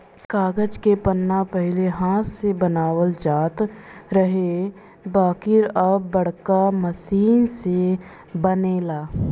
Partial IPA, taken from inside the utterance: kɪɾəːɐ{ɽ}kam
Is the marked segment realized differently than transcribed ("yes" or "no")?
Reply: no